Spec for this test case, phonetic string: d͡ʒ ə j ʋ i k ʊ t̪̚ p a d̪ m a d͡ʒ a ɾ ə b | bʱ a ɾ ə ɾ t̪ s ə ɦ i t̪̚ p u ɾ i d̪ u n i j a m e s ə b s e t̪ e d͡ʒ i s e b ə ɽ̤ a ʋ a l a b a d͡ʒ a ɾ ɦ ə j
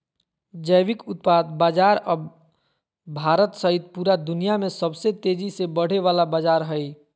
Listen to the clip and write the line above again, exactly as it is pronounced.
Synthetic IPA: d͡ʒ ə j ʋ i k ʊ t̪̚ p a d̪ b a d͡ʒ a ɾ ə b | bʱ a ɾ ə t̪ s ə ɦ i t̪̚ p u ɾ a d̪ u n i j a m e s ə b s e t̪ e d͡ʒ i s e b ə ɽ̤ e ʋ a l a b a d͡ʒ a ɾ ɦ ə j